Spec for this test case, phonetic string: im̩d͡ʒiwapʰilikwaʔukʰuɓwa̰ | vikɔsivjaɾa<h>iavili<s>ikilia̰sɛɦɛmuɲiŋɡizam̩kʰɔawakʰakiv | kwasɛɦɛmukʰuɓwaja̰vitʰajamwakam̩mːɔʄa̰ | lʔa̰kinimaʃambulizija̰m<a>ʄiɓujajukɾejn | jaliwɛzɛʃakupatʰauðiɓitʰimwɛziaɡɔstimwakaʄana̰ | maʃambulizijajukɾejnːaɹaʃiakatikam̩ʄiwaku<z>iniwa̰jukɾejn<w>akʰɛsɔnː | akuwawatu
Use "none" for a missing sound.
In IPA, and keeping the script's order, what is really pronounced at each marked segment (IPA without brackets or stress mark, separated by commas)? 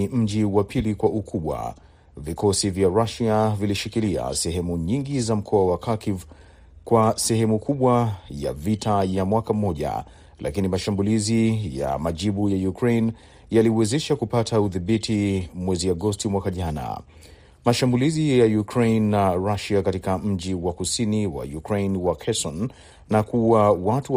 ʃ, ʃ, a, s, w